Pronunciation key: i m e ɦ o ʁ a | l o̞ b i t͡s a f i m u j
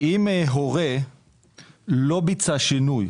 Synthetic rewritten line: i m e ɦ o ʁ e | l o̞ b i t͡s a ʃ i n u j